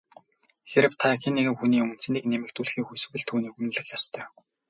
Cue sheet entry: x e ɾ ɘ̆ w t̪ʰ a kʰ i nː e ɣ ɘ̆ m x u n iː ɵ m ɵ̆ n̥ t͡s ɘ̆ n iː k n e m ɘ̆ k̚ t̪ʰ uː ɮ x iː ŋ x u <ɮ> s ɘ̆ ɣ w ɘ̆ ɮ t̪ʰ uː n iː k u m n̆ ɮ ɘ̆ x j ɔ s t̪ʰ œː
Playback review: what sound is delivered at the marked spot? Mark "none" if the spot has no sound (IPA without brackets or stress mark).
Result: none